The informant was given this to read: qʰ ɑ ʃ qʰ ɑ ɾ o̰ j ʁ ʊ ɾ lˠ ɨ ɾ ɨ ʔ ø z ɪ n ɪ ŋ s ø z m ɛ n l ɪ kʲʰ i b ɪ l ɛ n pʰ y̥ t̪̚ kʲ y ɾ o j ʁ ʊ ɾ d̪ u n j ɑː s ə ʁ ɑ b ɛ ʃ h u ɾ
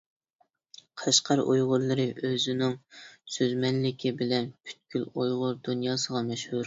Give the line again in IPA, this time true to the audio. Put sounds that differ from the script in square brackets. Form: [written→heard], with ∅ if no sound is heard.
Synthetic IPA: qʰ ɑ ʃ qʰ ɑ ɾ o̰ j ʁ ʊ ɾ lˠ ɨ ɾ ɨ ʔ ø z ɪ n ɪ ŋ s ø z m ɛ n l ɪ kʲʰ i b ɪ l ɛ n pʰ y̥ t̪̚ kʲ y [ɾ→l] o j ʁ ʊ ɾ d̪ u n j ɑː s ə ʁ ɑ [b→m] ɛ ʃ h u ɾ

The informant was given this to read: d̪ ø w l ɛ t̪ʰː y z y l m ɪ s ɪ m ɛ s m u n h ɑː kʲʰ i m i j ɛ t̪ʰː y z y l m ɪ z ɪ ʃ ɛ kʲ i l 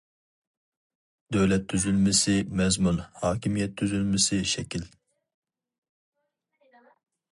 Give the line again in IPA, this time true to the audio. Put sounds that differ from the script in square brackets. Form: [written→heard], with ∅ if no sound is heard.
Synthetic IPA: d̪ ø w l ɛ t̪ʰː y z y l m ɪ s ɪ m ɛ [s→z] m u n h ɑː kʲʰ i m i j ɛ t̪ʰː y z y l m ɪ [z→s] ɪ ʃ ɛ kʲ i l

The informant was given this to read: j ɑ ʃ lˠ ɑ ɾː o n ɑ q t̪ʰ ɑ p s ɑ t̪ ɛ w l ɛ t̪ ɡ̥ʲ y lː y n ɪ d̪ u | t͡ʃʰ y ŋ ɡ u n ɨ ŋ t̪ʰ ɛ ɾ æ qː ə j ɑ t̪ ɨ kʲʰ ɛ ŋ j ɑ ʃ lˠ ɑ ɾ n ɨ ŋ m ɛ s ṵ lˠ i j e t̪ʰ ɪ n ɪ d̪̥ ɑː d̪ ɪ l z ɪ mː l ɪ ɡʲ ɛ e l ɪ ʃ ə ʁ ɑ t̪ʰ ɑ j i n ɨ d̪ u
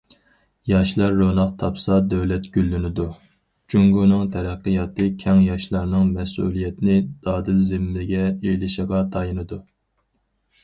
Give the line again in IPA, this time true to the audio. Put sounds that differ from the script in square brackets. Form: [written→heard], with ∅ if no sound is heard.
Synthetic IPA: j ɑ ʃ lˠ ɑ ɾː o n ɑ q t̪ʰ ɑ p s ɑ [t̪→d̪] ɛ w l ɛ t̪ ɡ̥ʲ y lː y n ɪ d̪ u | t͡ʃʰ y ŋ ɡ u n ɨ ŋ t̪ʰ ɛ ɾ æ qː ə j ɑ t̪ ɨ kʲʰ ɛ ŋ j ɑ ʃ lˠ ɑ ɾ n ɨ ŋ m ɛ s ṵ lˠ i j [e→ɛ] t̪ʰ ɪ n ɪ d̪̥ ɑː d̪ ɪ l z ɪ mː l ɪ ɡʲ ɛ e l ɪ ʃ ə ʁ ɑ t̪ʰ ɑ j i n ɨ d̪ u

